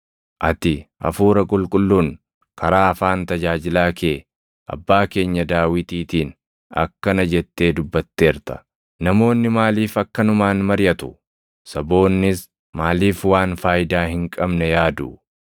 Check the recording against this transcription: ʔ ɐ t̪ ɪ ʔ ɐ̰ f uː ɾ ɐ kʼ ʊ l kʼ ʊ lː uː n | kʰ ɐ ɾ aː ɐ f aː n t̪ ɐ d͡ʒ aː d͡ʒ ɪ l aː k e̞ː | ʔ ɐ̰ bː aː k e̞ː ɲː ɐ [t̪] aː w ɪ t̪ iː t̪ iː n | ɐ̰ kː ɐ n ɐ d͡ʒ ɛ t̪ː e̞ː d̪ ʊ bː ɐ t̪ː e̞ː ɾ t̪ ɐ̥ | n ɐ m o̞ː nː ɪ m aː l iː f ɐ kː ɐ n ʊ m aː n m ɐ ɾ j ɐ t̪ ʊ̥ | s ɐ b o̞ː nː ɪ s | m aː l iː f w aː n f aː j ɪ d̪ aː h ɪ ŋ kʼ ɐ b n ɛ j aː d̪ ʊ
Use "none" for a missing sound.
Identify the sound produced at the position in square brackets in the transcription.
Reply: d̪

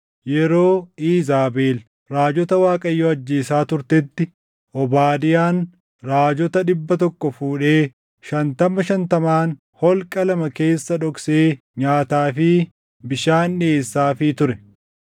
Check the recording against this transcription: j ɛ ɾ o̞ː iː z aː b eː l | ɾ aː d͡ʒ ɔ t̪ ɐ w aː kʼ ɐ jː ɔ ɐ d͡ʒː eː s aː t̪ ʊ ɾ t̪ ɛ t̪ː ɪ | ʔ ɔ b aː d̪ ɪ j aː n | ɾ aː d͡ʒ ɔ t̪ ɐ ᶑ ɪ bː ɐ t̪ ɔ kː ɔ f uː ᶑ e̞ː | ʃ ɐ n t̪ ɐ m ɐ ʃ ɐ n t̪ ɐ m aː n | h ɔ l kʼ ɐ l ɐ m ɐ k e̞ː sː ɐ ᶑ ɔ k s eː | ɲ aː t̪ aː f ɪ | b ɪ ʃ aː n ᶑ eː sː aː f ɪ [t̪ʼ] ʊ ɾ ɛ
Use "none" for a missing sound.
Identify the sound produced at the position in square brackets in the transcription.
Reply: t̪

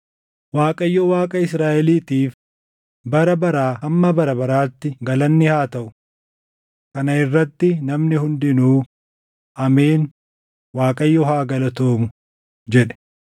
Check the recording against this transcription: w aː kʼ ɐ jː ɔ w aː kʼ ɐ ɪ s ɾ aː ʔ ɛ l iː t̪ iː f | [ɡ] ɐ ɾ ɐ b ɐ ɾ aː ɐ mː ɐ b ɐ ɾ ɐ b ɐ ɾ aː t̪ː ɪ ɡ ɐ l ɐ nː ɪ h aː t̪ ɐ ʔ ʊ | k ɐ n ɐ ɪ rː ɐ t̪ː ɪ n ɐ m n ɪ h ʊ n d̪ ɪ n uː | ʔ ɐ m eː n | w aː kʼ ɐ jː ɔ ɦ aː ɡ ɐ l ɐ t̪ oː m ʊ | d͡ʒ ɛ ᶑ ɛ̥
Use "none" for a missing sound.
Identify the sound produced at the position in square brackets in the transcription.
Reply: b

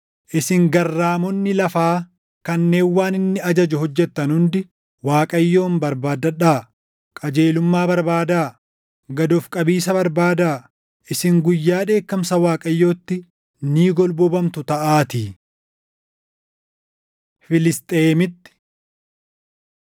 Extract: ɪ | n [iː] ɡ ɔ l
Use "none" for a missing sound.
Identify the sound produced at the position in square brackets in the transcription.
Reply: iː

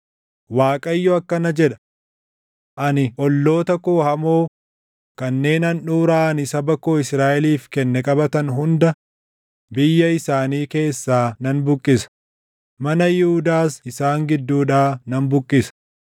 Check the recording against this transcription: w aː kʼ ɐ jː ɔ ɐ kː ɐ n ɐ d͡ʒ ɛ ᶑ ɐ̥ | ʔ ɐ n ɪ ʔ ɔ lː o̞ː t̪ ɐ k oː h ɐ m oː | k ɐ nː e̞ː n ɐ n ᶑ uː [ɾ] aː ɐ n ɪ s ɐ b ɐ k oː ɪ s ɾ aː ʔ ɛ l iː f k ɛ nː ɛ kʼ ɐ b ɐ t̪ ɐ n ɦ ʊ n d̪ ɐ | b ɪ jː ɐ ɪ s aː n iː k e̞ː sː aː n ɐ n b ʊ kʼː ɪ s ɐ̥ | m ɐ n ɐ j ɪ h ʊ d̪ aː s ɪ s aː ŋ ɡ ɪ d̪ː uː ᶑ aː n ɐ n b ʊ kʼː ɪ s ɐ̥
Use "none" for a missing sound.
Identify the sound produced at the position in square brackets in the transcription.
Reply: ɾ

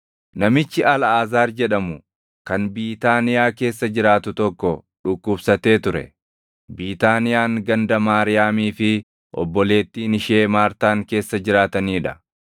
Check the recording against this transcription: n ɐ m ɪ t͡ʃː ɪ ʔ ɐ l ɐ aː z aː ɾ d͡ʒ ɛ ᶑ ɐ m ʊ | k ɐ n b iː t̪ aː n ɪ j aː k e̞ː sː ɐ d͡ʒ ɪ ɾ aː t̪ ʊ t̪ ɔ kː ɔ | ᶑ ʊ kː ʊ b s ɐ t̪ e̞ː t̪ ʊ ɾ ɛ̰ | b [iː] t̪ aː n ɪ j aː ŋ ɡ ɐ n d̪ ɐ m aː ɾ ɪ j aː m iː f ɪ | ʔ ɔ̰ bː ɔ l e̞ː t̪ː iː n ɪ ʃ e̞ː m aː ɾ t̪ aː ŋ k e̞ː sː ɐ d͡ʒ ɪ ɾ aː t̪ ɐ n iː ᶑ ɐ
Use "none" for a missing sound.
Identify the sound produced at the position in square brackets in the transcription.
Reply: iː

